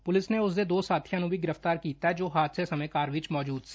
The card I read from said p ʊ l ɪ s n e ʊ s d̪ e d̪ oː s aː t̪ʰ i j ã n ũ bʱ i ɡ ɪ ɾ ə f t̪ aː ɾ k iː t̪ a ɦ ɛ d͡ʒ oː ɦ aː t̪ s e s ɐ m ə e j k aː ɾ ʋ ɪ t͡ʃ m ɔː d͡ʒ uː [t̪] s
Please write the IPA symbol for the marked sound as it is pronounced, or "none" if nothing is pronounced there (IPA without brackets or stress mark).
d̪